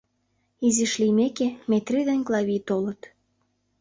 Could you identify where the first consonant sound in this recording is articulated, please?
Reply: alveolar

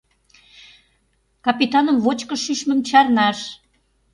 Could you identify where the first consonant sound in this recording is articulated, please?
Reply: velar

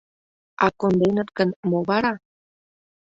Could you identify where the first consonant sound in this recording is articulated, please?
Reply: velar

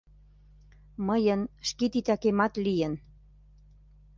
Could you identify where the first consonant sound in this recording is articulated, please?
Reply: labial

